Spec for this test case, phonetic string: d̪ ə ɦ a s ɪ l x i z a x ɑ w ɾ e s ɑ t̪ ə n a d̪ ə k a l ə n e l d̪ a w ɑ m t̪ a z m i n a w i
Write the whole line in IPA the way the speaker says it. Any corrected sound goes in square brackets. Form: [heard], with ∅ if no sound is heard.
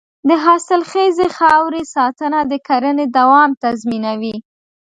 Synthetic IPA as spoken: d̪ ə ɦ [ɑ] s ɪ l x [e] z [e] x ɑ w ɾ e s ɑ t̪ ə n a d̪ ə k a [ɾ] ə n e [∅] d̪ a w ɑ m t̪ a z m i n a w i

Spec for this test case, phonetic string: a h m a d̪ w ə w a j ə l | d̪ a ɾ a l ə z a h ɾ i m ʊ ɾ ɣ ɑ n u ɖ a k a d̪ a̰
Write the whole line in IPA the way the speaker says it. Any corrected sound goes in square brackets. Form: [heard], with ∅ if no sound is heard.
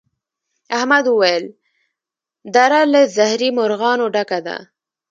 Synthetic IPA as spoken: a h m a d̪ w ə w a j ə l | d̪ a ɾ a l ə z a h ɾ i m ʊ ɾ ɣ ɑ n [o] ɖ a k a d̪ a̰

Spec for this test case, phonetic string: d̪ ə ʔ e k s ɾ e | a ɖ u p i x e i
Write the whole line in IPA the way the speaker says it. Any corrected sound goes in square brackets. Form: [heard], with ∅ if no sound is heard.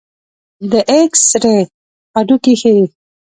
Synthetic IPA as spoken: d̪ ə ʔ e k s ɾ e | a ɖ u [k] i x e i

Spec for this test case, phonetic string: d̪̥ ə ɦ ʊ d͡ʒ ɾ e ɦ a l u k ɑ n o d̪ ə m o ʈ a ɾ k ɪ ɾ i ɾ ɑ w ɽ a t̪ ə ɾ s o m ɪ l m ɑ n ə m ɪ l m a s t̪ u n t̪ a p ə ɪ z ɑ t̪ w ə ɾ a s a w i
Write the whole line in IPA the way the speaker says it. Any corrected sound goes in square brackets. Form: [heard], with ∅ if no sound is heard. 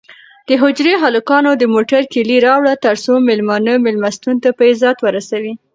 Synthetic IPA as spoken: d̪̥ ə ɦ ʊ d͡ʒ ɾ e ɦ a l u k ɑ n o d̪ ə m o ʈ a ɾ k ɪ [l] i ɾ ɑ w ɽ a t̪ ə ɾ s o m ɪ l m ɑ n ə m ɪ l m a s t̪ u n t̪ a p ə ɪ z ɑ t̪ w ə ɾ a s a w i

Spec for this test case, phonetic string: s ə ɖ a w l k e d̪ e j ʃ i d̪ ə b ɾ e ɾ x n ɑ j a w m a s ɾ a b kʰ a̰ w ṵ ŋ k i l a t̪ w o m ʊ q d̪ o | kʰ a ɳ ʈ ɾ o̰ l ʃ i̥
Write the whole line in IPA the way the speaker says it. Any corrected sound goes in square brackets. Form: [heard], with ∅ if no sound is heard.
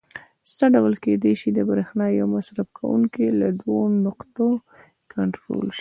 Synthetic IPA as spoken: s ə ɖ a w l k e d̪ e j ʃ i d̪ ə b ɾ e [∅] x n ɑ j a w m a s ɾ a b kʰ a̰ w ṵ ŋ k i l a [d̪] w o [n] ʊ q [t̪] o | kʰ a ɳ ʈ ɾ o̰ l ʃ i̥

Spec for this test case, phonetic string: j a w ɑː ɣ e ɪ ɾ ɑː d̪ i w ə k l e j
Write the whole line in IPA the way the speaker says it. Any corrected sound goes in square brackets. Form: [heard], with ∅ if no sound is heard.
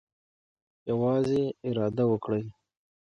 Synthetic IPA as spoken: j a w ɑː [z] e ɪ ɾ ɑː d̪ [a] w ə k [ɽ] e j

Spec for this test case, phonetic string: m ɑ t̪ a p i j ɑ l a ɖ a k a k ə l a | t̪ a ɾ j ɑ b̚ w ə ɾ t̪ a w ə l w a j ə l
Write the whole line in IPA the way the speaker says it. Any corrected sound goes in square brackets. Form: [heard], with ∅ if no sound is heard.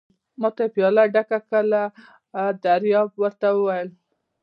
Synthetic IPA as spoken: m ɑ t̪ a p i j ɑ l a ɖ a k a k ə l a | [d̪] a ɾ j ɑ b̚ w ə ɾ t̪ a w ə [∅] w a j ə l

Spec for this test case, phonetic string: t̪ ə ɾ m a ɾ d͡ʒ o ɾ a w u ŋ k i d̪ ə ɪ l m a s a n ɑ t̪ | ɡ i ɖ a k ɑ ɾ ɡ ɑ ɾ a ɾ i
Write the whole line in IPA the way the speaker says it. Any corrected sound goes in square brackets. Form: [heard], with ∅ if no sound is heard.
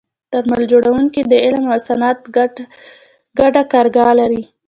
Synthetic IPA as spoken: t̪ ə ɾ m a [l] d͡ʒ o [ɽ] a w u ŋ k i d̪ ə ɪ l m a s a n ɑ t̪ | ɡ [a] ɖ a k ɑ ɾ ɡ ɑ [l] a ɾ i

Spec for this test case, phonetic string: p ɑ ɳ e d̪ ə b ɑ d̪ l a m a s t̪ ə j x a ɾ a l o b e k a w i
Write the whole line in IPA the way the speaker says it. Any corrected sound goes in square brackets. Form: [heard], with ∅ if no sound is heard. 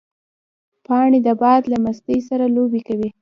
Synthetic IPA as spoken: p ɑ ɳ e d̪ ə b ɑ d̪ l a m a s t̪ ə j [s] a ɾ a l o b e k a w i

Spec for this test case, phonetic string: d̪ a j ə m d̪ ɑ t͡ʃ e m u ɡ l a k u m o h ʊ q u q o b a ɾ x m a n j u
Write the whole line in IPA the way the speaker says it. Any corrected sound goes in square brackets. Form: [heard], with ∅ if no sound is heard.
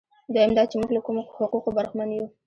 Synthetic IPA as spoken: d̪ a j [a] m d̪ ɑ t͡ʃ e m u ɡ l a k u m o h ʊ q u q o b a ɾ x m a n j u

